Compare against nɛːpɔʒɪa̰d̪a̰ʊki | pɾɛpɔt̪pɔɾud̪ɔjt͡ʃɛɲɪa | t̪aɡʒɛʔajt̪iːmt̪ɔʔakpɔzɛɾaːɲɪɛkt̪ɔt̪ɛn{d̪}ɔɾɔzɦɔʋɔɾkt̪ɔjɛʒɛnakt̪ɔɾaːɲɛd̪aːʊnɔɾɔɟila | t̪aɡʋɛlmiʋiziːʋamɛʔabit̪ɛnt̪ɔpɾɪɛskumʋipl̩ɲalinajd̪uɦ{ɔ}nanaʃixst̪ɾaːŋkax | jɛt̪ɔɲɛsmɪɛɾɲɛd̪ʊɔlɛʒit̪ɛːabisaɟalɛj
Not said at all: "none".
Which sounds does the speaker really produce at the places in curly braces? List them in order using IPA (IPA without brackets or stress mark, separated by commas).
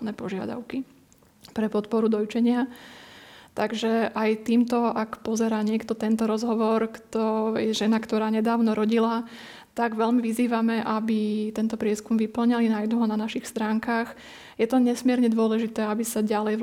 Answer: t̪, ɔ